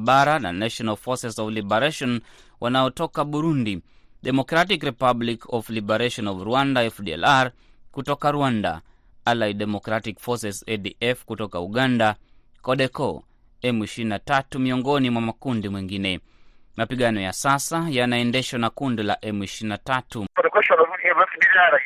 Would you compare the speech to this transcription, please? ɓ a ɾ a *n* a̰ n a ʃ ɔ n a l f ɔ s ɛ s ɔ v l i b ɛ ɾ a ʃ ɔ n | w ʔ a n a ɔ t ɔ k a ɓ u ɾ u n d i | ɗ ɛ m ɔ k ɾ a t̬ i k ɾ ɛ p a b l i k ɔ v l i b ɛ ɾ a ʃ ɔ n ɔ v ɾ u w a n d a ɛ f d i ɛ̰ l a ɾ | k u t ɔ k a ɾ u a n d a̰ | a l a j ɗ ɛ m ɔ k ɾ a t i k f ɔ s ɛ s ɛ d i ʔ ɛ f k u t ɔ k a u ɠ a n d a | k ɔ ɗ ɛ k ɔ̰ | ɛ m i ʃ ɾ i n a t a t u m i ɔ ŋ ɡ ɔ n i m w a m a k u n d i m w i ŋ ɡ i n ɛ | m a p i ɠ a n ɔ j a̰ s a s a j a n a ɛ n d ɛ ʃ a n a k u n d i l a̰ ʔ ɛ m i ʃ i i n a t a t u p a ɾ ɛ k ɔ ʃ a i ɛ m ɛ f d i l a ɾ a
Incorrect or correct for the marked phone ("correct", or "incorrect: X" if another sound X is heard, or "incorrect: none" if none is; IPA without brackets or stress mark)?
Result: correct